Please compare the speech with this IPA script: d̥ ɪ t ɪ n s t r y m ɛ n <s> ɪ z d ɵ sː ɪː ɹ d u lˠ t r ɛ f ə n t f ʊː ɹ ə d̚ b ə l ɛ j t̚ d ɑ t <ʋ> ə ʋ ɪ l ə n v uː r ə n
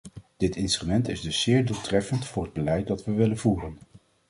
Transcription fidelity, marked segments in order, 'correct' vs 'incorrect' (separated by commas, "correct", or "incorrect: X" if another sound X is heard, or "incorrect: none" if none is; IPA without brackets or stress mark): incorrect: t, correct